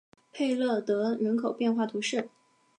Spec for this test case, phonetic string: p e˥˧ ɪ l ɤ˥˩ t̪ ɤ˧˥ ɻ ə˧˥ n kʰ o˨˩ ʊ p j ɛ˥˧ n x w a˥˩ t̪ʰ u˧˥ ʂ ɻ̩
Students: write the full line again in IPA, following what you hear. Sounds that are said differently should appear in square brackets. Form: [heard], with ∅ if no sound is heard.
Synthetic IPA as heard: [pʰ] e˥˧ ɪ l ɤ˥˩ t̪ ɤ˧˥ ɻ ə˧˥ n kʰ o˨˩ ʊ p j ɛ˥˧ n x w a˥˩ t̪ʰ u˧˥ ʂ ɻ̩